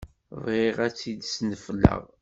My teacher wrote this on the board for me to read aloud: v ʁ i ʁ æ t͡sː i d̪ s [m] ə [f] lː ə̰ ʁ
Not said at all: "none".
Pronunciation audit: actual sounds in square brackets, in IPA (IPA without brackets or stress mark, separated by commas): n, f